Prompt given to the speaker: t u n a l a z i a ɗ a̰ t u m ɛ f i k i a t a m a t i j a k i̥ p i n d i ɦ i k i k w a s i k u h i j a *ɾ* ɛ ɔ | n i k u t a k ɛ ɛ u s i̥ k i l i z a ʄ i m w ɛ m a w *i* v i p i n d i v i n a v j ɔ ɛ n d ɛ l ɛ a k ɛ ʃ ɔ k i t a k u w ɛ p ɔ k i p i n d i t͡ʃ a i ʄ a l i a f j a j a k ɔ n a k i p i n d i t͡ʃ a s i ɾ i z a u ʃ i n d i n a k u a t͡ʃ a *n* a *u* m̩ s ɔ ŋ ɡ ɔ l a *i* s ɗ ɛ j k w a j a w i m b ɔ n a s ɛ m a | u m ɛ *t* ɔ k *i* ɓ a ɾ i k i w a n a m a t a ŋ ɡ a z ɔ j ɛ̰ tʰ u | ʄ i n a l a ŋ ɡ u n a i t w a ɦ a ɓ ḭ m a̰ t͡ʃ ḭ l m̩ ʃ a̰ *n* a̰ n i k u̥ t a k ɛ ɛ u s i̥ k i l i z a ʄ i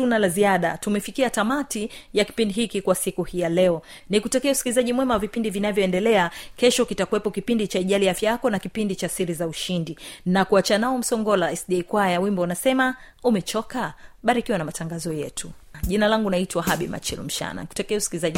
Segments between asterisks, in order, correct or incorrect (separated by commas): incorrect, incorrect, correct, incorrect, incorrect, incorrect, incorrect, correct